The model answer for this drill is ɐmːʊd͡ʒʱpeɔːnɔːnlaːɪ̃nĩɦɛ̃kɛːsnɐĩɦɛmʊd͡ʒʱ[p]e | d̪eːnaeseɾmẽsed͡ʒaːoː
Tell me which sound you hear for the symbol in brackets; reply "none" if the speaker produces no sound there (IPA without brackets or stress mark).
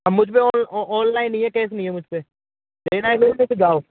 p